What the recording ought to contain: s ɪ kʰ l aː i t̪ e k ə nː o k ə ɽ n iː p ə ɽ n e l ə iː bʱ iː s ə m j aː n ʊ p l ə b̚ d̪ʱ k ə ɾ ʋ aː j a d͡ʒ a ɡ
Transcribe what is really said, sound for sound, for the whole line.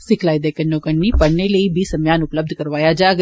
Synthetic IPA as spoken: s ɪ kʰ l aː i d̪ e k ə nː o k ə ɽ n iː p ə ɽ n e l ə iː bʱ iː s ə m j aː n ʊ p l ə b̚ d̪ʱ k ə ɾ ʋ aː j a d͡ʒ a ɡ